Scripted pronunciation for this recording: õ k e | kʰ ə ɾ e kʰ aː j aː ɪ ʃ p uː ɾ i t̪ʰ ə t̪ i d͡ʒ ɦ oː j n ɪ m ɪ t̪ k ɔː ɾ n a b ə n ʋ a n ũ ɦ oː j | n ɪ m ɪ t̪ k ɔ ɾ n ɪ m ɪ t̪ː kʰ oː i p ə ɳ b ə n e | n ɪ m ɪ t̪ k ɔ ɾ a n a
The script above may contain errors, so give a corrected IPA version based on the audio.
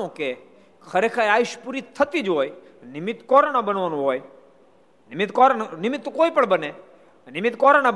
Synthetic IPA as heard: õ k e | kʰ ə ɾ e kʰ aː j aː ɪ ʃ p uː ɾ i t̪ʰ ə t̪ i d͡ʒ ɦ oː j n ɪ m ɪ t̪ k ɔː ɾ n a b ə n ʋ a n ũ ɦ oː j | n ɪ m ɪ t̪ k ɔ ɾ n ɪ m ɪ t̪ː k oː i p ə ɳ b ə n e | n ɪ m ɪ t̪ k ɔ ɾ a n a